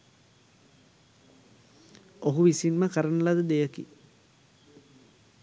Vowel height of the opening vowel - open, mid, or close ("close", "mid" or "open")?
mid